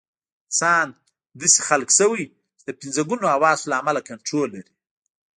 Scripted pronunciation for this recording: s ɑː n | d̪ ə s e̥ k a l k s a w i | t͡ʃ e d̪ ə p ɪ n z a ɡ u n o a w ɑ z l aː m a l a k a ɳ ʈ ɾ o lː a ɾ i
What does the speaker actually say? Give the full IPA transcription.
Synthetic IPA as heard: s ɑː n | d̪ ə s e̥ x a l k s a w i | t͡ʃ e d̪ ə p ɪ n z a ɡ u n o a w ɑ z l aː m a l a k a ɳ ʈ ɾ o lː a ɾ i